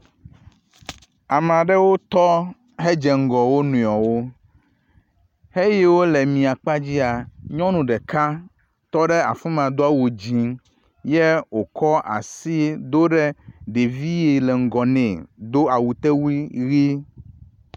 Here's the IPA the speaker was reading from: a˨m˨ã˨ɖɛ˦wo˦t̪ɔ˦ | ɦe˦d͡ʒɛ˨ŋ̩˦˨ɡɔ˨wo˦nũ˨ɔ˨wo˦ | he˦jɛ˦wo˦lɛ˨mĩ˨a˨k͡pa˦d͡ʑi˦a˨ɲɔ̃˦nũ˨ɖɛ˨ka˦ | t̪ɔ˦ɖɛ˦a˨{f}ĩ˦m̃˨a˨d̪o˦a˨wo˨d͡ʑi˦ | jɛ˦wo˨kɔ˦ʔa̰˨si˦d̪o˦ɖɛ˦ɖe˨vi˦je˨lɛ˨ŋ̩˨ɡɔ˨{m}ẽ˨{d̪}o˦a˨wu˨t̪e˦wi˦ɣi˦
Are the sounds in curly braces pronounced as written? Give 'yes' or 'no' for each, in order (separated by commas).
yes, no, yes